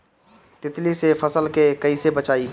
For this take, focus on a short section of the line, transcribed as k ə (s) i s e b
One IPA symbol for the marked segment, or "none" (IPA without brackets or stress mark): none